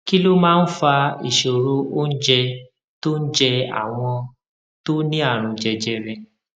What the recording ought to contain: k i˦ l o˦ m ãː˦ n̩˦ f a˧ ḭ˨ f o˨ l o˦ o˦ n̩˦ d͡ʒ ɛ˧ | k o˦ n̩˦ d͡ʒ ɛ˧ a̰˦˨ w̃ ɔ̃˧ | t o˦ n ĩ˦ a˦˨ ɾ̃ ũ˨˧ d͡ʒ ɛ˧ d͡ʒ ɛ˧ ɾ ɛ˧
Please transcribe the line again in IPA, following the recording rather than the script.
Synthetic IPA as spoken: k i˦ l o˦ m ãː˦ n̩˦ f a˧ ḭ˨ ʃ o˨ ɾ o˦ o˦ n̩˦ d͡ʒ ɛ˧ | t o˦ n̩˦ d͡ʒ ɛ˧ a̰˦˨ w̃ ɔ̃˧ | t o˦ n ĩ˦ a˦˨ ɾ̃ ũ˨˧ d͡ʒ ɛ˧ d͡ʒ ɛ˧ ɾ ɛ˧